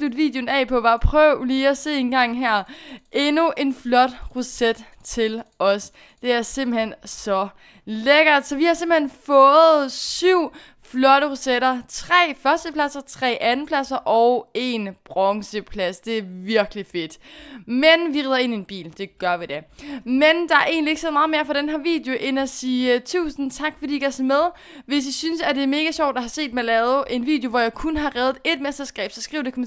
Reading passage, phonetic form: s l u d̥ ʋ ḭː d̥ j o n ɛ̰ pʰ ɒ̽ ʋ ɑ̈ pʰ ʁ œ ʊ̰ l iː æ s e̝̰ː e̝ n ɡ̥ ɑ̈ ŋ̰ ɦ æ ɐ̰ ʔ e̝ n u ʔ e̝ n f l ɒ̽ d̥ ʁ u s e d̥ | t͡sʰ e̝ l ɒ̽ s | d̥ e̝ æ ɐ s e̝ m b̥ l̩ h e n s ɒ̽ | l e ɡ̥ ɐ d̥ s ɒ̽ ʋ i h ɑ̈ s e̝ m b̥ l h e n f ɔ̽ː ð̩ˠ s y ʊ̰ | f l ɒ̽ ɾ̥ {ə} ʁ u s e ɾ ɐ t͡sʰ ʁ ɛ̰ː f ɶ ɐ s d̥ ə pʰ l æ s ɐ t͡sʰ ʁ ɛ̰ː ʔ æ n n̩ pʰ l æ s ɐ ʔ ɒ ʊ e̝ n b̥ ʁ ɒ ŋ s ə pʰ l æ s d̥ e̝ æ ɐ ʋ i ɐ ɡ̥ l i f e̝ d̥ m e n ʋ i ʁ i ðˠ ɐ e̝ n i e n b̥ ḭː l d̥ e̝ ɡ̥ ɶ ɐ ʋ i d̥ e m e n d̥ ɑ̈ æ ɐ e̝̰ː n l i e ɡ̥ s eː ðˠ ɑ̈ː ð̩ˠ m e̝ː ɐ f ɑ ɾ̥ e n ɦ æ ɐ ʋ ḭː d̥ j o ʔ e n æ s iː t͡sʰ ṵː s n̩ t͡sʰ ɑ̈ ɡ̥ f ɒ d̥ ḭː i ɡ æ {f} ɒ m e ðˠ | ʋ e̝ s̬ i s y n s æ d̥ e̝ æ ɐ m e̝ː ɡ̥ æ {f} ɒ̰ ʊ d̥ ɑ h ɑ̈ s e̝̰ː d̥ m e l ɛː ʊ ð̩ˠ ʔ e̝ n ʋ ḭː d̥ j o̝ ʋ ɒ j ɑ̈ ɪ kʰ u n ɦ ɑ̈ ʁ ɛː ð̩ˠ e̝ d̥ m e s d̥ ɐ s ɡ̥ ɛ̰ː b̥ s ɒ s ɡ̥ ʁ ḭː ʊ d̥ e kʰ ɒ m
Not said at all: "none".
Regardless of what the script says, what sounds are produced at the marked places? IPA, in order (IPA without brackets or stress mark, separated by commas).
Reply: ə, s, ɕ